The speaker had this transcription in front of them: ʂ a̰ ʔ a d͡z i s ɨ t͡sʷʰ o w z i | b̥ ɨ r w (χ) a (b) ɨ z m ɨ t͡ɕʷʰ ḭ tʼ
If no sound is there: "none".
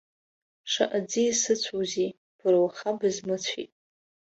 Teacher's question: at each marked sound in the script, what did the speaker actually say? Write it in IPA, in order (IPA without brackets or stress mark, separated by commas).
χ, b